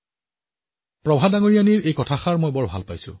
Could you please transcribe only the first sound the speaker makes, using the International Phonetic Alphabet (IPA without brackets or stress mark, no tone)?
p